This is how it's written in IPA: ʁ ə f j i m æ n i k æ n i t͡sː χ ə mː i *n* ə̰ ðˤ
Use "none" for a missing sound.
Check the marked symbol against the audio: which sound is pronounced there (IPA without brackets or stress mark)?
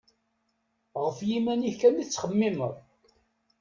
m